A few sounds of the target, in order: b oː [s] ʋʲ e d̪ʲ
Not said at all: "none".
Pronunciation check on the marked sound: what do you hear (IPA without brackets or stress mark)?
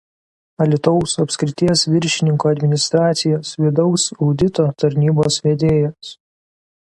s